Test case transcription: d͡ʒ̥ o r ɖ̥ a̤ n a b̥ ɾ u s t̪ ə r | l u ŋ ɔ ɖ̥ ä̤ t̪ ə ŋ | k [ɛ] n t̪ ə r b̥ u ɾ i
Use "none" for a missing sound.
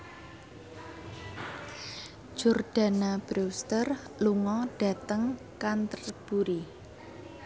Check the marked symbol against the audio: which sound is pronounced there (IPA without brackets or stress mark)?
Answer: a